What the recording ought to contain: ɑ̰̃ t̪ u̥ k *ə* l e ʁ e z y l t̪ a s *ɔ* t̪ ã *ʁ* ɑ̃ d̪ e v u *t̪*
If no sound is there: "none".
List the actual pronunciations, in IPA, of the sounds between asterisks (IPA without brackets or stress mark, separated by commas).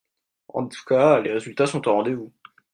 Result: a, ɔ̃, ʁ, none